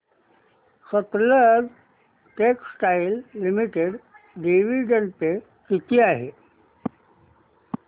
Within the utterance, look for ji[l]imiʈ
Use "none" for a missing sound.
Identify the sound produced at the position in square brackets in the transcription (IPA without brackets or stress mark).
lː